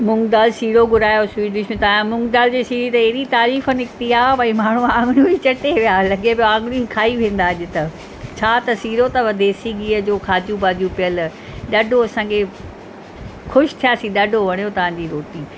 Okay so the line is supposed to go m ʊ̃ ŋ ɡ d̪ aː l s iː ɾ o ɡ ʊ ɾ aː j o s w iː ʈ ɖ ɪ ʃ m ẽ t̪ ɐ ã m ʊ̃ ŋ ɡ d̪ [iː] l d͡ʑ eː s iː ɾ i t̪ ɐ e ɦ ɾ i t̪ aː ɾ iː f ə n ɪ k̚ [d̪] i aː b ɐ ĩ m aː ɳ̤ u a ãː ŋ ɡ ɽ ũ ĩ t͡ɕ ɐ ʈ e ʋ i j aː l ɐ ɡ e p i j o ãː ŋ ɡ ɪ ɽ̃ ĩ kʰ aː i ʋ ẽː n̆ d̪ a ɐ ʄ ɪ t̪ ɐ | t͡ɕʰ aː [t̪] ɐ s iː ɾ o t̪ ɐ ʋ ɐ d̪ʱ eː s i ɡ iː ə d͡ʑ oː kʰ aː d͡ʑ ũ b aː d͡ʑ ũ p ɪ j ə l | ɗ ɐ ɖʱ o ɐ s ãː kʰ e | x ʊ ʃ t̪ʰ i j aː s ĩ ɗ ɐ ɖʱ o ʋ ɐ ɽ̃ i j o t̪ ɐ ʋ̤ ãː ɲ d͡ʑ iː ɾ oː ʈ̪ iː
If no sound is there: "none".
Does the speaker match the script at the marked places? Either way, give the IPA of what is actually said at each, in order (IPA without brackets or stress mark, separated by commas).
aː, t̪, t̪